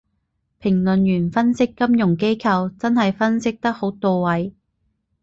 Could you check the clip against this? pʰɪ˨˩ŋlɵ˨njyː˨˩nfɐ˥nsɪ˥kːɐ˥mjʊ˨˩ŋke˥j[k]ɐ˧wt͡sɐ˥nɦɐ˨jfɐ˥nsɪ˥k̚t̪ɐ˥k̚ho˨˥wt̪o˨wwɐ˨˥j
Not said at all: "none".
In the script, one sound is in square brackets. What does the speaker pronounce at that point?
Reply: kʰ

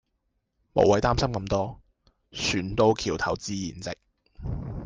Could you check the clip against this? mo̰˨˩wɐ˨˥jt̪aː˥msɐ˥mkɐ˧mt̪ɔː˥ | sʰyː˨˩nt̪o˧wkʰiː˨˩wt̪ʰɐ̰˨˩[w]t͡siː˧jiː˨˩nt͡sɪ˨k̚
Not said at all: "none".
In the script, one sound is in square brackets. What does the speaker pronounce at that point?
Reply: w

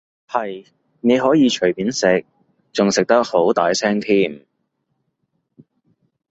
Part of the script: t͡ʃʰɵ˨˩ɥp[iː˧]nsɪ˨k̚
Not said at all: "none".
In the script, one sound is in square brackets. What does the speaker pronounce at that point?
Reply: iː˨˥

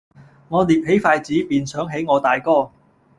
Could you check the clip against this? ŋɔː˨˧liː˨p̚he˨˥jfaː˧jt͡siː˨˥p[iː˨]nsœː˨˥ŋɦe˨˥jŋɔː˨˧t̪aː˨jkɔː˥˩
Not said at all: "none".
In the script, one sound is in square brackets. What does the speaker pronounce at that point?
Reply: iː˨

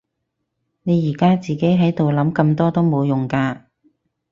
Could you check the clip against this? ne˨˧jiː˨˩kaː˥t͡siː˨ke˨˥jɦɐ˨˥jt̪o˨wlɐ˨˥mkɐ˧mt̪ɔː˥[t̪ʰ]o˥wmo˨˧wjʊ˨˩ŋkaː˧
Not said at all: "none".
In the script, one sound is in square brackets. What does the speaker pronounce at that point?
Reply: t̪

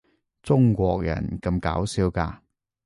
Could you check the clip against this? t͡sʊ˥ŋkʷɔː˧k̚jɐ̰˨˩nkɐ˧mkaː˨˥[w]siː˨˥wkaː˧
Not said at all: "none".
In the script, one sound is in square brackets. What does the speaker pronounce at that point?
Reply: w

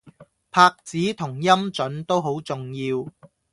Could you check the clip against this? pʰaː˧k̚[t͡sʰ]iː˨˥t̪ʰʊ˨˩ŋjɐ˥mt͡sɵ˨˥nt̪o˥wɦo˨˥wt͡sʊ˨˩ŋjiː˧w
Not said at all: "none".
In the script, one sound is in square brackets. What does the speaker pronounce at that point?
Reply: t͡s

